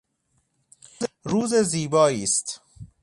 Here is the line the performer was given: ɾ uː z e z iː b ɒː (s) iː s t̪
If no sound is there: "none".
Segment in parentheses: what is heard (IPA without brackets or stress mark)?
none